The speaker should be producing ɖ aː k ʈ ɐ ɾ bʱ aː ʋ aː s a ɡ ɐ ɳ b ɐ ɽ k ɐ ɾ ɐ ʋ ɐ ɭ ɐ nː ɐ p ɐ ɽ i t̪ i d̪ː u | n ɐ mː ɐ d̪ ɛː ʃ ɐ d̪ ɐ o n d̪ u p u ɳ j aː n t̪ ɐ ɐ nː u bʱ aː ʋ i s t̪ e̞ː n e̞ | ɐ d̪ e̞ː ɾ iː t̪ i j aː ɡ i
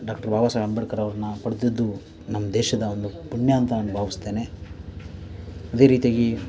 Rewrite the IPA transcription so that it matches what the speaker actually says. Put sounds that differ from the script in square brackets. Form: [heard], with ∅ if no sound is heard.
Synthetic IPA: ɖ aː k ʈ ɐ ɾ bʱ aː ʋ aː s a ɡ ɐ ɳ b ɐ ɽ k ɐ ɾ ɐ ʋ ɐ [ɾ] ɐ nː ɐ p ɐ ɽ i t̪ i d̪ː u | n ɐ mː ɐ d̪ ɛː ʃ ɐ d̪ ɐ o n d̪ u p u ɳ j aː n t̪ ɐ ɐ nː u bʱ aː ʋ i s t̪ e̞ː n e̞ | ɐ d̪ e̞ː ɾ iː t̪ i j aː ɡ i